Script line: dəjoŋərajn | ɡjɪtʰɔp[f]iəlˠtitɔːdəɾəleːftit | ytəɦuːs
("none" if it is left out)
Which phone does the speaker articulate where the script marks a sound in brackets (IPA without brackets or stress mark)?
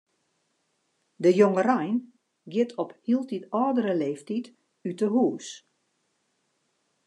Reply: h